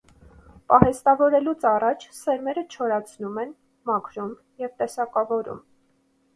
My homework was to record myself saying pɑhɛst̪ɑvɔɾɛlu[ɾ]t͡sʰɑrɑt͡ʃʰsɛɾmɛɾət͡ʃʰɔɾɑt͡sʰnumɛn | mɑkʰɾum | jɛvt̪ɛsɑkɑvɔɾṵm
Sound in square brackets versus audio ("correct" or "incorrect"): incorrect